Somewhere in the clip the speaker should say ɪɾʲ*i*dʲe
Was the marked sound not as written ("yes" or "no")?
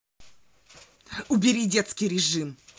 no